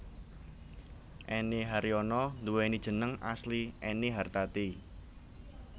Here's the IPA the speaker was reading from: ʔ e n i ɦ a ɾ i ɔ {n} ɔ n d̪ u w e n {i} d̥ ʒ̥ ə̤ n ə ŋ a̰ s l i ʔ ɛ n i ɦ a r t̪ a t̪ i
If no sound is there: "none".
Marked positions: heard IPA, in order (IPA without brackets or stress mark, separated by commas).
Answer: n, i